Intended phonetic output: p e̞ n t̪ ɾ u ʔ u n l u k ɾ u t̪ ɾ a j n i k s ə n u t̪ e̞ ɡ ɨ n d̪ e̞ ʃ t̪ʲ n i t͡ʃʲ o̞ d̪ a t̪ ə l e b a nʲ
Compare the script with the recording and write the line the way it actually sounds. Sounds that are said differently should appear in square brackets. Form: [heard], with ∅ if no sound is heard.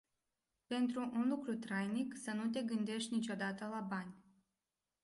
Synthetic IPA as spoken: p e̞ n t̪ ɾ u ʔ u n l u k ɾ u t̪ ɾ a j n i k s ə n u t̪ e̞ ɡ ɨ n d̪ e̞ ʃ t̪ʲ n i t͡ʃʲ o̞ d̪ a t̪ ə l [a] b a nʲ